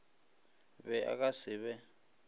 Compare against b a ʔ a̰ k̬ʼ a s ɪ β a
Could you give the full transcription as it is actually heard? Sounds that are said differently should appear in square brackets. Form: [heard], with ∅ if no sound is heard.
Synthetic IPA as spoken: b [ɛ] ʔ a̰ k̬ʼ a s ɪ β [ɛ]